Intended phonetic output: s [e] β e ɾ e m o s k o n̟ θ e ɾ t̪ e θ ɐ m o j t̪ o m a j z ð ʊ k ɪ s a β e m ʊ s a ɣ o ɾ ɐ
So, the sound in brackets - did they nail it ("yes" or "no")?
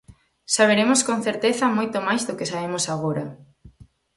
no